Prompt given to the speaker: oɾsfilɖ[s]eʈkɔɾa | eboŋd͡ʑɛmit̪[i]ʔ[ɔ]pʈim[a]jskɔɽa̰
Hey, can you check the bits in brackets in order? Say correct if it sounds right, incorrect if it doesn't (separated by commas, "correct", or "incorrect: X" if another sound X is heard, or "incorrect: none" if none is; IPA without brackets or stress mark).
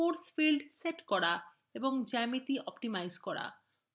correct, correct, correct, correct